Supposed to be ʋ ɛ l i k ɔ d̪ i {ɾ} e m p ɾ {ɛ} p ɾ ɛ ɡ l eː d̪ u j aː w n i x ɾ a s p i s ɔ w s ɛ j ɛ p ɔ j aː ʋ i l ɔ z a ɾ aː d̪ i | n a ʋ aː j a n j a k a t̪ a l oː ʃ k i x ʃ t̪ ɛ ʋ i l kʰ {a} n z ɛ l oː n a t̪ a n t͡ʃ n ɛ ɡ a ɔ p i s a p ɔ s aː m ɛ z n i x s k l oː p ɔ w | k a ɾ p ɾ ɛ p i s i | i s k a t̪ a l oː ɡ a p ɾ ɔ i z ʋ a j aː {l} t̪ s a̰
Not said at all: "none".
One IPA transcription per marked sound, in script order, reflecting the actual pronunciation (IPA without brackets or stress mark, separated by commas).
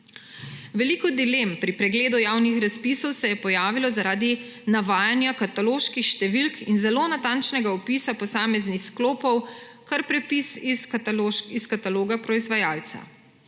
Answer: l, i, i, l